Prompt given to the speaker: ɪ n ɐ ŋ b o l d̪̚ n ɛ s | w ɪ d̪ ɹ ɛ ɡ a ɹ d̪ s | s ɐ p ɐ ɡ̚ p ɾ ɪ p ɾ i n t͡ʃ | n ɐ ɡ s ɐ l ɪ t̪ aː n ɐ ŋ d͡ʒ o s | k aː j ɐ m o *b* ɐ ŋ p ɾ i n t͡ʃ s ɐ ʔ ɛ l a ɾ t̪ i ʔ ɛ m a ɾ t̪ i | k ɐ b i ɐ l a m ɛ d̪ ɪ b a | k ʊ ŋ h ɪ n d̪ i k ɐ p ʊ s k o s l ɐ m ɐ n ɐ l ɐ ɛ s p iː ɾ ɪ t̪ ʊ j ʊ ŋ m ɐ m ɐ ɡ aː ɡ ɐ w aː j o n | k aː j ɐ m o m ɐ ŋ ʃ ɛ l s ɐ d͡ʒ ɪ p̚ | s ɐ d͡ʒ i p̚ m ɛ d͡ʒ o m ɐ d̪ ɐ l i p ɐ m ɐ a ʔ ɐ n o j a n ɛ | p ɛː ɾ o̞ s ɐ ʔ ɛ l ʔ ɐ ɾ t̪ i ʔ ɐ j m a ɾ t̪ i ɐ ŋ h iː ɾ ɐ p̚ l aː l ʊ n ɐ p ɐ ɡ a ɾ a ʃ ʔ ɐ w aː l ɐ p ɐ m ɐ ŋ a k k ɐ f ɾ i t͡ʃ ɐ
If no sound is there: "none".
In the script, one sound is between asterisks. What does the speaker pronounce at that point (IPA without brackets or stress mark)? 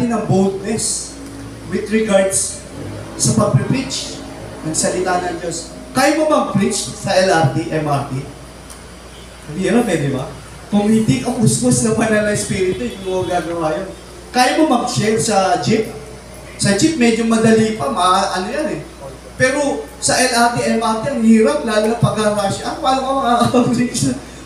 m